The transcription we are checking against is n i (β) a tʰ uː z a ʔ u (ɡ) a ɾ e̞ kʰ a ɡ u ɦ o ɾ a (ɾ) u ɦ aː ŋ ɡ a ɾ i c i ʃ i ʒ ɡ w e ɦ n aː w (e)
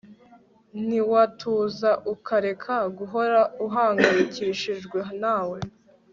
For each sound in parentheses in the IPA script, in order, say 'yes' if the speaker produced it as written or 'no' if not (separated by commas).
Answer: no, no, no, yes